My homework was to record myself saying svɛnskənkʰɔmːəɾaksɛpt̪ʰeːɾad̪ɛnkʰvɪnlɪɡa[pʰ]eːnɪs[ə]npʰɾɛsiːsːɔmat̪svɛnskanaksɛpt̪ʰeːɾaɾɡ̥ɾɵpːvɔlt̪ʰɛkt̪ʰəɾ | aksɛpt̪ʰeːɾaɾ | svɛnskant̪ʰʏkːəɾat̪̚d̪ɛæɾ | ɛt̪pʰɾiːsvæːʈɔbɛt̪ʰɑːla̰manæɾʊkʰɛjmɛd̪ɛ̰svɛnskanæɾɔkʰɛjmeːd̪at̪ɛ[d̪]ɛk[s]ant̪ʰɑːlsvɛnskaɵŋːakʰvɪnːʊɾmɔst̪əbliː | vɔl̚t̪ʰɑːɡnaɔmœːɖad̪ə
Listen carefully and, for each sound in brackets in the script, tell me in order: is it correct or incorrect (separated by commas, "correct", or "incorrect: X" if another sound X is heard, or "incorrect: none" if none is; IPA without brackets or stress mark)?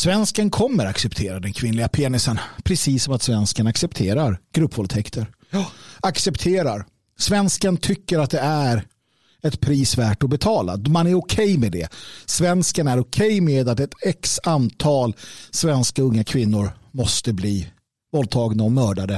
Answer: correct, correct, incorrect: t̪, correct